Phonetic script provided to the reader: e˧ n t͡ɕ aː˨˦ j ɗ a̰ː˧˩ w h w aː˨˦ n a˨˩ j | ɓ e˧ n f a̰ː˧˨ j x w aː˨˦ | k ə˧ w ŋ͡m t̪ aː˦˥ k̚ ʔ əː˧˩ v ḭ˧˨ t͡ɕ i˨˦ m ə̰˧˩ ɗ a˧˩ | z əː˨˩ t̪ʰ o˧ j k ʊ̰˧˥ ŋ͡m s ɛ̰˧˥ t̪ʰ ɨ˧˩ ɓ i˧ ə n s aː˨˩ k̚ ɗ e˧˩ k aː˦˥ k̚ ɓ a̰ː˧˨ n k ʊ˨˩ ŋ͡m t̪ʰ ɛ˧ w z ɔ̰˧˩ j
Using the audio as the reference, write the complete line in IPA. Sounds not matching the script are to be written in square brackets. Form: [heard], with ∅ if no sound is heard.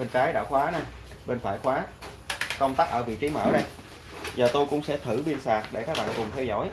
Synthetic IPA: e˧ n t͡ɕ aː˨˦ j ɗ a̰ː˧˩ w [x] w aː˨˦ n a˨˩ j | ɓ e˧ n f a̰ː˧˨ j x w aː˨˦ | k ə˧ w ŋ͡m t̪ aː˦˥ k̚ ʔ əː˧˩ v ḭ˧˨ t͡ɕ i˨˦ m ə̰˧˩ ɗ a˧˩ | z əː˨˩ [t̪] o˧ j k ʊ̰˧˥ ŋ͡m s ɛ̰˧˥ t̪ʰ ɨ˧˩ ɓ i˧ ə n s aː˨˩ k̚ ɗ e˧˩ k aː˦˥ k̚ ɓ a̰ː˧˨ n k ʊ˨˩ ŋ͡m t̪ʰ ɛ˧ w z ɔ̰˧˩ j